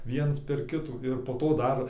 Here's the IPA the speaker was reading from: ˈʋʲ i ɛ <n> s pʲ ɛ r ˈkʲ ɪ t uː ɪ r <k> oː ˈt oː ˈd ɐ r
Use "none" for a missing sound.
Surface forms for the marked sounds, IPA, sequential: n, p

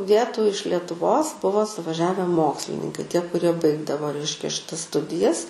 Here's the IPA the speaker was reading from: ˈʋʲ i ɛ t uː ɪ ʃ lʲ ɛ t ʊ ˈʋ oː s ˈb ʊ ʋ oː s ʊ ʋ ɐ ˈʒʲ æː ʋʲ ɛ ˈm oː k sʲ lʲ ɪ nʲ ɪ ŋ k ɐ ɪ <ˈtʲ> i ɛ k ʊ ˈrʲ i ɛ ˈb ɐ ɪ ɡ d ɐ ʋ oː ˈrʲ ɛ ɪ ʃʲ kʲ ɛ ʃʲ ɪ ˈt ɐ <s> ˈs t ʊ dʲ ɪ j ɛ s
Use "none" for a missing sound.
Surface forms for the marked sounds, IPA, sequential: tʲ, s

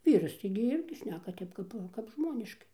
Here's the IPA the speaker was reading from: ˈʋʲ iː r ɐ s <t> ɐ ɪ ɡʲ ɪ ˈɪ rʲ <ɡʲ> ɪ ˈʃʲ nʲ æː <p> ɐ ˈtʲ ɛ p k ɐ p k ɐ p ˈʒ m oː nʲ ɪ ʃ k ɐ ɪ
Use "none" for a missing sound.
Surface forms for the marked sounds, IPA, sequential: t, ɡʲ, k

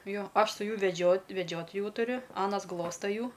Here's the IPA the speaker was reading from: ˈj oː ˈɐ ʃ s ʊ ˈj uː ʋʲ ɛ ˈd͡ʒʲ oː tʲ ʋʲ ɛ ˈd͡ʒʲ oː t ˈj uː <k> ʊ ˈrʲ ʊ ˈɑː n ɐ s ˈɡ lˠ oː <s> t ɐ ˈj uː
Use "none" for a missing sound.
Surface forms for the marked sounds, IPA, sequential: t, s

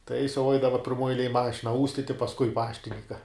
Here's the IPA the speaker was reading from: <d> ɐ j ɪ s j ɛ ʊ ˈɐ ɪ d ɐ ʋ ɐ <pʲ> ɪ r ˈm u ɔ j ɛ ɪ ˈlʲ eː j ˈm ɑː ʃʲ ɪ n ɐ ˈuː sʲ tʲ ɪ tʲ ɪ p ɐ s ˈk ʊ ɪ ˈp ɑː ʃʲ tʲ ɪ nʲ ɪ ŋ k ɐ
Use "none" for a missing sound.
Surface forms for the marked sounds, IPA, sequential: t, pʲ

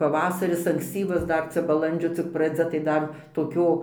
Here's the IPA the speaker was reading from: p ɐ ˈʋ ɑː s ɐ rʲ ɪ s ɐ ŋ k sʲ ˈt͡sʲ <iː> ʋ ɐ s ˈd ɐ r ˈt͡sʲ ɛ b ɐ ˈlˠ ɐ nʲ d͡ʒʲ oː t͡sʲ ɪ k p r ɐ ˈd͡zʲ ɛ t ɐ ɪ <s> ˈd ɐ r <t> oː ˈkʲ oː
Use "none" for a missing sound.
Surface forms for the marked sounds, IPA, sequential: iː, none, t

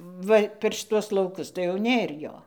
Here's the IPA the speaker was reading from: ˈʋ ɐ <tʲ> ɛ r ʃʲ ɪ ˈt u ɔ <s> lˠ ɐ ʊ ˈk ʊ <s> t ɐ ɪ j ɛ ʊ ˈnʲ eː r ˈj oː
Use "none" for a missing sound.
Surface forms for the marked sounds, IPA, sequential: pʲ, s, s

